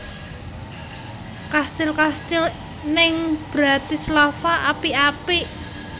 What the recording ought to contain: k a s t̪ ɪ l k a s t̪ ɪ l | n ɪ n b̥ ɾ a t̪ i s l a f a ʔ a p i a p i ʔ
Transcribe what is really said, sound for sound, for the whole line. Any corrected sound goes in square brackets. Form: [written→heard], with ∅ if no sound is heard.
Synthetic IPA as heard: k a s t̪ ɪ l k a s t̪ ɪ l | n ɪ [n→ŋ] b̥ ɾ a t̪ i s l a f a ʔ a p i a p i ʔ